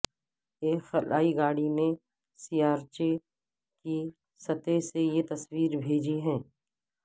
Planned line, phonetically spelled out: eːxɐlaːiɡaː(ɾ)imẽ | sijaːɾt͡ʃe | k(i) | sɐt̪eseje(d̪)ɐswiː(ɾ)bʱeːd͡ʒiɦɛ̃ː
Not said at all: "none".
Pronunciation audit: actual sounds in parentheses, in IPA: ɽ, i, t̪, ɾ

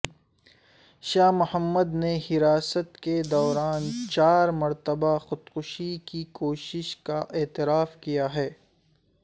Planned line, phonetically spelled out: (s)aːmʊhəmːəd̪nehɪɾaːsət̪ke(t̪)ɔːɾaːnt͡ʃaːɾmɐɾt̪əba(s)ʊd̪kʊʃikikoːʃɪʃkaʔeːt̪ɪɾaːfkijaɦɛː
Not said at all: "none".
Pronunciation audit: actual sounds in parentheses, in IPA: ʃ, d̪, x

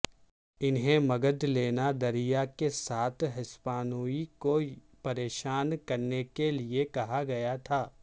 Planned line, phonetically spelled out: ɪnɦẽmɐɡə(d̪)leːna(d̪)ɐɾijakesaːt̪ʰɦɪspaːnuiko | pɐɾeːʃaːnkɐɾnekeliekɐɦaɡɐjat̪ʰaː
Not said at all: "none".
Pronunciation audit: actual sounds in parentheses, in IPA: d̪, d̪

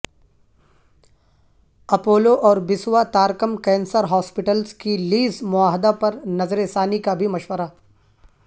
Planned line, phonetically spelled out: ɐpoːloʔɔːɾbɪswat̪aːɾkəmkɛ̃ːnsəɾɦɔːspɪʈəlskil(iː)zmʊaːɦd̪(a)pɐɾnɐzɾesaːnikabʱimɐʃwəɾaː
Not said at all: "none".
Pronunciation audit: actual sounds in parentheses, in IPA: iː, a

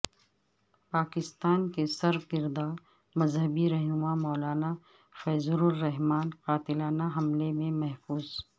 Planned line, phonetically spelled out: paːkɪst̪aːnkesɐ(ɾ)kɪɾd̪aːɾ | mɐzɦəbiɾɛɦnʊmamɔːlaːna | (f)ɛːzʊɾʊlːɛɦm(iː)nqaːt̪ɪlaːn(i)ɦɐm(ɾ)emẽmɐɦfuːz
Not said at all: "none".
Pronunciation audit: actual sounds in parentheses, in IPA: ɾ, f, aː, a, l

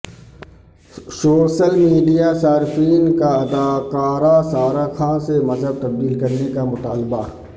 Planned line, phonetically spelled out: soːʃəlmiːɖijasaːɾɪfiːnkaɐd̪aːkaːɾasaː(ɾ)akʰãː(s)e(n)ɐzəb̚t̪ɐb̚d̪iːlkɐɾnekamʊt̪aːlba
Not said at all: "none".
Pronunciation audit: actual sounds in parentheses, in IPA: ɾ, s, m

